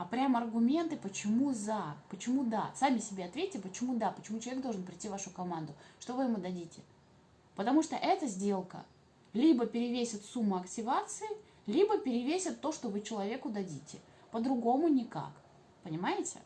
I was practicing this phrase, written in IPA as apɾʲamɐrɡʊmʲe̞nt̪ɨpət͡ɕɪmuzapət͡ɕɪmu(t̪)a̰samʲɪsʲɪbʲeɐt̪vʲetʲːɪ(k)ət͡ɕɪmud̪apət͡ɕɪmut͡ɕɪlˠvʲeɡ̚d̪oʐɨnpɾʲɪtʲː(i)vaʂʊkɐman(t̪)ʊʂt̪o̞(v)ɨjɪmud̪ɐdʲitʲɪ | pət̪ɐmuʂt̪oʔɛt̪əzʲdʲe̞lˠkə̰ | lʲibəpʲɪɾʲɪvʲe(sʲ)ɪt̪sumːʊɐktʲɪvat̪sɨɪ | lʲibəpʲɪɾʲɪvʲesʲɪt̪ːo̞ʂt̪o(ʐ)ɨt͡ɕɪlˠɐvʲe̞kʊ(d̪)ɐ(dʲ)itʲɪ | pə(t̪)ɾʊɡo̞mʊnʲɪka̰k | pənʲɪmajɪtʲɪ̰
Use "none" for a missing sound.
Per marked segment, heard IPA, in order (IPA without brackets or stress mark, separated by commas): d̪, p, i, d̪, v, sʲ, v, d̪, dʲ, d̪